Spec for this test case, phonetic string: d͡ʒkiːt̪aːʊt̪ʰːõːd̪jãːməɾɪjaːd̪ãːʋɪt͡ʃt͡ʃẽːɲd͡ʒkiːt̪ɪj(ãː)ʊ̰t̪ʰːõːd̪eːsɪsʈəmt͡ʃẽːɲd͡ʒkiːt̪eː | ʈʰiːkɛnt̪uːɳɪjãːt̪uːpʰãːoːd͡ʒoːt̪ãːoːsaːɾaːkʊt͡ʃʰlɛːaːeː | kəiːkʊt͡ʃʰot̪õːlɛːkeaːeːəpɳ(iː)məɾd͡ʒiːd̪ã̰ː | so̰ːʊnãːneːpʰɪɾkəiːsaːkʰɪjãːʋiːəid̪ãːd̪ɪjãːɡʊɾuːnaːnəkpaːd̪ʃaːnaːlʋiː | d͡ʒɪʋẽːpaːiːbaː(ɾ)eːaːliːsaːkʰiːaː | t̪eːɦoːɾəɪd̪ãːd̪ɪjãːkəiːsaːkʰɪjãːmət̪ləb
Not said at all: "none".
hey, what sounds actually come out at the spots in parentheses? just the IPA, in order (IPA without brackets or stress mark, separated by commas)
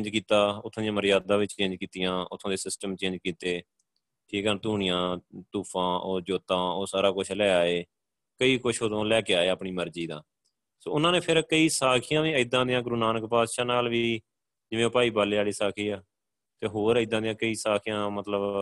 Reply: ãː, iː, l